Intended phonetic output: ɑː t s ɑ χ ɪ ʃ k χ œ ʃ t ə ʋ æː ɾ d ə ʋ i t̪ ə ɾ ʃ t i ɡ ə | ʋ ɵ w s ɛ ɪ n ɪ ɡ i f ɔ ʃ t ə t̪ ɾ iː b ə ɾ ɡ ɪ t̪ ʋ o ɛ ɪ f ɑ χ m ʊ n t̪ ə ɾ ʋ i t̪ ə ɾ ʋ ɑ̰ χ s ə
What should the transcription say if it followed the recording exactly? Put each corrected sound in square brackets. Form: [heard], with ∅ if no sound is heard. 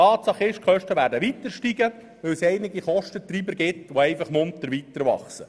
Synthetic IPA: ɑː t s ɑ χ ɪ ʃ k χ œ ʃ t ə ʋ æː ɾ d ə ʋ i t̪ ə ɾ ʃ t i ɡ ə | ʋ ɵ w s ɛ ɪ n ɪ ɡ i [χ] ɔ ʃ t ə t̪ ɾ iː b ə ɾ ɡ ɪ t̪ ʋ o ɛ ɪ f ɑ χ m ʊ n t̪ ə ɾ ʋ i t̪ ə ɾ ʋ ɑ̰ χ s ə